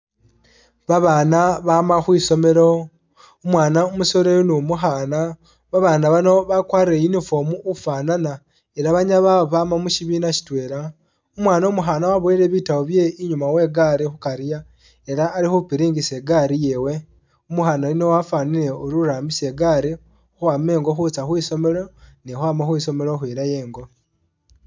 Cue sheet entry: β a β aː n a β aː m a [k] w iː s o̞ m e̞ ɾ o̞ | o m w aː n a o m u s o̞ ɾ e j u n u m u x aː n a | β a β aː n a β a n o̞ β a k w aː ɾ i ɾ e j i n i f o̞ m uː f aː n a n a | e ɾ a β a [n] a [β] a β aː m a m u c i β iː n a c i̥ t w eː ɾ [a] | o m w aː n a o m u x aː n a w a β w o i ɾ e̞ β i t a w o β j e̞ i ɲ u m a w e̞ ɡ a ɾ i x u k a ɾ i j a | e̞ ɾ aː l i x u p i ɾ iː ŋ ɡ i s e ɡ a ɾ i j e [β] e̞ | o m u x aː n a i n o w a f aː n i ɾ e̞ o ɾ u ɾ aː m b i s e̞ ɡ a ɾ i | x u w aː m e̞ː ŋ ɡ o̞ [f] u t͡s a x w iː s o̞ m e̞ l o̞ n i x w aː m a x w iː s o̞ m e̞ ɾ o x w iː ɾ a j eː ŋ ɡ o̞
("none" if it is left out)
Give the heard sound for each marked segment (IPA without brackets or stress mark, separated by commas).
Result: x, ɲ, β, a, w, x